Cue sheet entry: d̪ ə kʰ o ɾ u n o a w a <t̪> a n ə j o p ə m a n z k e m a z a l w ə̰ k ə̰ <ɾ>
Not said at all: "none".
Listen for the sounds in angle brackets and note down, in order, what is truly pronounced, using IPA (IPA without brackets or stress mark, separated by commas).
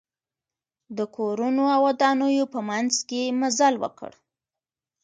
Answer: d̪, ɽ